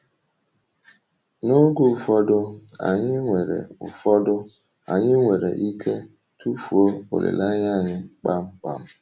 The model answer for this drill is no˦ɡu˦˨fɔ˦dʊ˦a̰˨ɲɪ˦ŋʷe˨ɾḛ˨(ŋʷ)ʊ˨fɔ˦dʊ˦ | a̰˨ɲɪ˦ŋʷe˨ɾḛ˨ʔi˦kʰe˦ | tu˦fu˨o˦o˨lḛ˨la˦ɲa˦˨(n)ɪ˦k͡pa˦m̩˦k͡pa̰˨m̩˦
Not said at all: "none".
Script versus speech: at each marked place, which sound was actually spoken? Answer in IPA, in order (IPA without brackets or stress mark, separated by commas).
none, ɲ